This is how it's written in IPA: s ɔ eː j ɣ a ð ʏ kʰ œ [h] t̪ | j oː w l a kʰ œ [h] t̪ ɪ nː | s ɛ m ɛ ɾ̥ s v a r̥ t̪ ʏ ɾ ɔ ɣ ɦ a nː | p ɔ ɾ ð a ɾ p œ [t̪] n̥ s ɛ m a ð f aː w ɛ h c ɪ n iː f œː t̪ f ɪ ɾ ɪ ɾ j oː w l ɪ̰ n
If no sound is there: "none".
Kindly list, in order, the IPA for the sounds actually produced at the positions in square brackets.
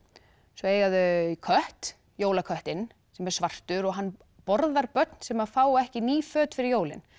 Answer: h, h, t̪

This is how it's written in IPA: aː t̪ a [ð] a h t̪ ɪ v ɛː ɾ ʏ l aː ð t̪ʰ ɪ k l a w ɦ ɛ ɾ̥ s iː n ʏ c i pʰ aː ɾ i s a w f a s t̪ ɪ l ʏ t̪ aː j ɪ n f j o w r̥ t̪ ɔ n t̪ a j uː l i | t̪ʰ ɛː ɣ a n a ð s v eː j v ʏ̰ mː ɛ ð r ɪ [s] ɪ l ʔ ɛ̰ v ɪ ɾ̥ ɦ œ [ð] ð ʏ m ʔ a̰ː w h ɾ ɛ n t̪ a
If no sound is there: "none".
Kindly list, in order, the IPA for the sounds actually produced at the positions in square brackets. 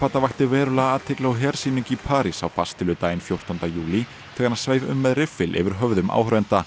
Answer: v, f, v

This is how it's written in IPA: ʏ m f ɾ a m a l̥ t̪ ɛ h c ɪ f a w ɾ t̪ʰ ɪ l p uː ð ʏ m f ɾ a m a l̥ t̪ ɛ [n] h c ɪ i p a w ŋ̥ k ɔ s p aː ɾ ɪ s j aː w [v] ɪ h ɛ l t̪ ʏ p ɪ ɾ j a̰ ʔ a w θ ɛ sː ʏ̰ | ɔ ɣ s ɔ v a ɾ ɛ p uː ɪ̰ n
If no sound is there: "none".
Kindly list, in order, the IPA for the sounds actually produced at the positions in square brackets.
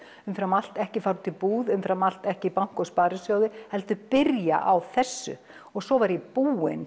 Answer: none, ð

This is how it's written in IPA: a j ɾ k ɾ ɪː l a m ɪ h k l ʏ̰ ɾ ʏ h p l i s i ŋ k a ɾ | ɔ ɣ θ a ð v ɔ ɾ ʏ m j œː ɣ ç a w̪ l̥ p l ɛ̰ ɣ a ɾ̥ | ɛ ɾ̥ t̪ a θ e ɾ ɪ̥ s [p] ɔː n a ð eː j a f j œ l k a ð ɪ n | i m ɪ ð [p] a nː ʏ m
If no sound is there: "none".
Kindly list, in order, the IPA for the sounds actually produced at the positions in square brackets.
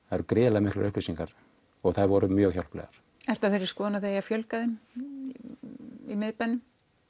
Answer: k, p

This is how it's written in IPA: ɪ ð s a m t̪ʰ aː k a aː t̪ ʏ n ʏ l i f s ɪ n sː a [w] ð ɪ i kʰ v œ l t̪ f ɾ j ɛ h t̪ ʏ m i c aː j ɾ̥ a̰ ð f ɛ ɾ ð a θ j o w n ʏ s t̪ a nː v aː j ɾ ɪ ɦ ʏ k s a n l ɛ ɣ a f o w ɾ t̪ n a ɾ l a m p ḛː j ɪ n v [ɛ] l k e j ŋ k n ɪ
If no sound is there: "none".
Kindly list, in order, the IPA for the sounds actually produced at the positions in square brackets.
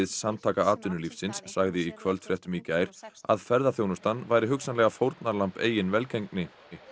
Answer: ɣ, ɛ

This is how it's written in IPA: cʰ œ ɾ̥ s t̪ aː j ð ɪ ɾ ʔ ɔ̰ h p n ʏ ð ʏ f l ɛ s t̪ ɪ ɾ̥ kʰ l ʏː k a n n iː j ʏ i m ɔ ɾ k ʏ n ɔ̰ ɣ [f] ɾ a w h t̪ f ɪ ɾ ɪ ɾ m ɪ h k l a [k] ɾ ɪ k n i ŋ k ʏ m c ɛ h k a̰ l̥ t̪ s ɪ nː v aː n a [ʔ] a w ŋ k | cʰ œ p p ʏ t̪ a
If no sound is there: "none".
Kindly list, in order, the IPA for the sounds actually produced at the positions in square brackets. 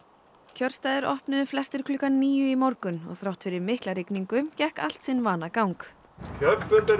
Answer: θ, none, k

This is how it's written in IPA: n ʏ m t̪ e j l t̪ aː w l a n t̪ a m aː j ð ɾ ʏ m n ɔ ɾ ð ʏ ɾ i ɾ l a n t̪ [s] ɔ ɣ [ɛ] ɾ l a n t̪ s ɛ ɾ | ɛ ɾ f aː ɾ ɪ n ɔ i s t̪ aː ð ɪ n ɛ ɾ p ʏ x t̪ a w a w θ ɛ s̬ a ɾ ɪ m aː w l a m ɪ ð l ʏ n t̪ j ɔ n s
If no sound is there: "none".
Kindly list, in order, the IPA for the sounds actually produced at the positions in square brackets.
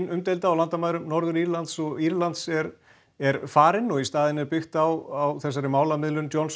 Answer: s, i

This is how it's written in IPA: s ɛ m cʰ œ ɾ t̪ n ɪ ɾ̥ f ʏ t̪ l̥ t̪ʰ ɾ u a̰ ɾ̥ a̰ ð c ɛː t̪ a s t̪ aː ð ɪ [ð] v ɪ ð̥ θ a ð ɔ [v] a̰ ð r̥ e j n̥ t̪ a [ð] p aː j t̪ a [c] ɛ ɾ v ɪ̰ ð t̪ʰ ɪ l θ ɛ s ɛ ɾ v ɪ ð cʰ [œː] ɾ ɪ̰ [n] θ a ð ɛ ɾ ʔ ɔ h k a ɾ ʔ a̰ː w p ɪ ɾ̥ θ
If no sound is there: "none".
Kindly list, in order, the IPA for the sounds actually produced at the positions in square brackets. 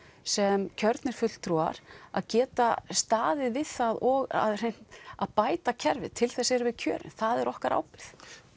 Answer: ð, ɣ, ð, cʰ, œː, n

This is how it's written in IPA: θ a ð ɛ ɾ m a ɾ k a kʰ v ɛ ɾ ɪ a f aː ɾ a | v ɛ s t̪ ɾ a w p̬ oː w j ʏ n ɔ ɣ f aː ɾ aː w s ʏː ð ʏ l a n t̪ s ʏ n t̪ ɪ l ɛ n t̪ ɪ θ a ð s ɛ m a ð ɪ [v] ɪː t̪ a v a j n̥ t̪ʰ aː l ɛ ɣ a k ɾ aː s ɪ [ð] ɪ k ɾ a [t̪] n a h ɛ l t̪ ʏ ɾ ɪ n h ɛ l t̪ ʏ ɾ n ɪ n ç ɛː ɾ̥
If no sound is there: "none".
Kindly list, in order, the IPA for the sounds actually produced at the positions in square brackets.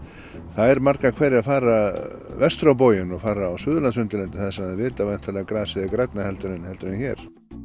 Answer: v, ð, t̪

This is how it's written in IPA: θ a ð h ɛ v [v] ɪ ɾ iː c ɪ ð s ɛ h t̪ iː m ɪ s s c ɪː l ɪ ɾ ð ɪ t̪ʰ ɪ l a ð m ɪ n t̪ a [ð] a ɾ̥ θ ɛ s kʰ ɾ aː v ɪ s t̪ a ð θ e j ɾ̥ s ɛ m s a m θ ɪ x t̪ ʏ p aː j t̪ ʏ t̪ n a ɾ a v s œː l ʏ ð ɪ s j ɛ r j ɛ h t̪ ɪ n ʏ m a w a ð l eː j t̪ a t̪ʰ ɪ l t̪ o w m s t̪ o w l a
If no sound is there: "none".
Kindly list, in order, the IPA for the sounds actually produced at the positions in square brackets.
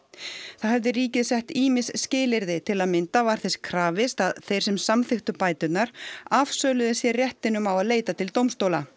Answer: ð, v

